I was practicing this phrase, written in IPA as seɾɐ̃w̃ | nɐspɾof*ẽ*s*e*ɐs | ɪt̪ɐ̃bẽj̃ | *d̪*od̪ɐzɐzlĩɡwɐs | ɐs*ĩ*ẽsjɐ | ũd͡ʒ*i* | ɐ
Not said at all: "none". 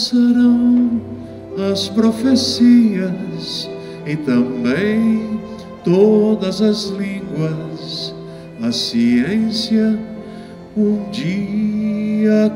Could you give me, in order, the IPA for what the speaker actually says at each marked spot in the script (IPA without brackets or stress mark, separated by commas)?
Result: e, i, t̪, i, i